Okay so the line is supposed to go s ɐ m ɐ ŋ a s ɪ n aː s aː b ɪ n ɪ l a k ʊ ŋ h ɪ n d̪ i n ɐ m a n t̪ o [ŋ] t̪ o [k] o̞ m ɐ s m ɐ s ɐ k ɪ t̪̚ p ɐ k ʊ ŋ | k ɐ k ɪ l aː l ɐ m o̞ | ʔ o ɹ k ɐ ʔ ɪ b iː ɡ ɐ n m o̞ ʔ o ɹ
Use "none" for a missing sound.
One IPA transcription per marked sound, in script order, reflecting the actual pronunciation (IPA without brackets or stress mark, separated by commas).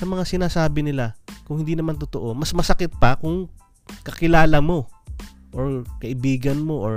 none, ʔ